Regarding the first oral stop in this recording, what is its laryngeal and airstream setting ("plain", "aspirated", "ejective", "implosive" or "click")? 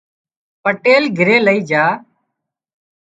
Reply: plain